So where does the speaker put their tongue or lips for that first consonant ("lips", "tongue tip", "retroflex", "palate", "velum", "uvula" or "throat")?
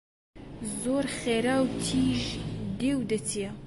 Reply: tongue tip